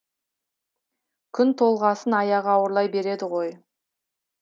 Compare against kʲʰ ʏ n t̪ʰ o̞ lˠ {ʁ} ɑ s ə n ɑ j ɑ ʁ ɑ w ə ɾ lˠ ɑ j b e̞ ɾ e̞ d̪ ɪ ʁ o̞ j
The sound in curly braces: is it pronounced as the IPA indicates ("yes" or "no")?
yes